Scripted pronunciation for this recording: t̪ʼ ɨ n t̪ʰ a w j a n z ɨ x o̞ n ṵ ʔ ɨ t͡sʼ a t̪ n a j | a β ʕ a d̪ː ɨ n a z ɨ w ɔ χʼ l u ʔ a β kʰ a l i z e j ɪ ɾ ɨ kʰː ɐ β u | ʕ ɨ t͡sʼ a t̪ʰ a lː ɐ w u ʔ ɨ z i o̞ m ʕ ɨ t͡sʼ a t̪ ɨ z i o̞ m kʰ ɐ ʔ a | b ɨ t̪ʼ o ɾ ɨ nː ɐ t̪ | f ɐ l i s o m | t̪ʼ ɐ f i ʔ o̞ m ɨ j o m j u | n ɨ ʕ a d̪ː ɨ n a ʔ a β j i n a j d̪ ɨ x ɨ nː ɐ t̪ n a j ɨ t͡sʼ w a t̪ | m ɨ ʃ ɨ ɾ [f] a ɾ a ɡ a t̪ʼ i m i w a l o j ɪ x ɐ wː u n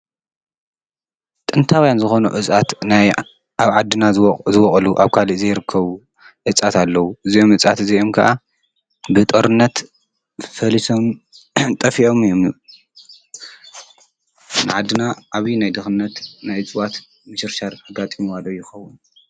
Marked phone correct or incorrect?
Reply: incorrect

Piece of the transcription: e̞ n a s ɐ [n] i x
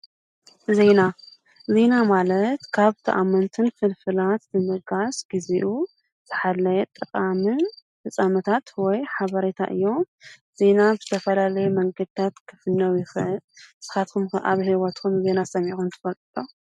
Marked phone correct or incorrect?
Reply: incorrect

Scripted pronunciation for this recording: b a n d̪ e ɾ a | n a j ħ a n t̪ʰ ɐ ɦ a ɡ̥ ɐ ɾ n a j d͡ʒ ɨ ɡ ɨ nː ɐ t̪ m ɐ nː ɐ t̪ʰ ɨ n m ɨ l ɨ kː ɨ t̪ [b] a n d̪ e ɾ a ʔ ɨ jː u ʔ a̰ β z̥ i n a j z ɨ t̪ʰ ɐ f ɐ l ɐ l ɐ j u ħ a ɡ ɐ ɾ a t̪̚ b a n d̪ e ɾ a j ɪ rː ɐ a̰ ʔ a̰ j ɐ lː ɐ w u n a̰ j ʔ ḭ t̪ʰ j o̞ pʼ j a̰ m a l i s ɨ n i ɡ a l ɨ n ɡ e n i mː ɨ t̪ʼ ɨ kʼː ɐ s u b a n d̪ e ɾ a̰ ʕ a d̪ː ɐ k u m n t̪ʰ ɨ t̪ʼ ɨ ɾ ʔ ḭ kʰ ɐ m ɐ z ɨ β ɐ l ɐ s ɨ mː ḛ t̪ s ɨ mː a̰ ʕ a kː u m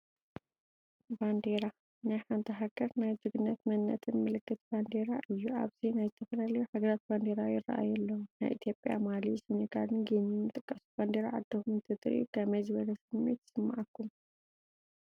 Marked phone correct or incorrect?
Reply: correct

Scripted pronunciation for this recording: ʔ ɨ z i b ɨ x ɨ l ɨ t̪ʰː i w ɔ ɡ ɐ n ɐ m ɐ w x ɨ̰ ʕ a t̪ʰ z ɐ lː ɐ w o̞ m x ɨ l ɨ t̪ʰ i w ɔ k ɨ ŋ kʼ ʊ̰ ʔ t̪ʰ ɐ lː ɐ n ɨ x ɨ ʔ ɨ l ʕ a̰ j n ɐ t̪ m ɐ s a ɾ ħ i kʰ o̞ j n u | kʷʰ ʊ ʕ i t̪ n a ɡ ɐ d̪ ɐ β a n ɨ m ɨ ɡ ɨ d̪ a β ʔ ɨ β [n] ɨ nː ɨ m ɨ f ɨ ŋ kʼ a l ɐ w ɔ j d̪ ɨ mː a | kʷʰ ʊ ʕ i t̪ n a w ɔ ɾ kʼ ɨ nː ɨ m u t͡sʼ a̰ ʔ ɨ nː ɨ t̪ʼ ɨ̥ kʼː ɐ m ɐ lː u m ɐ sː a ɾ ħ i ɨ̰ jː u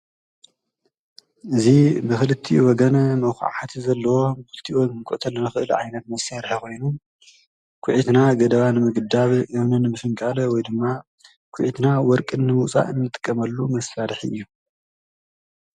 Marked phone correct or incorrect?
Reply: correct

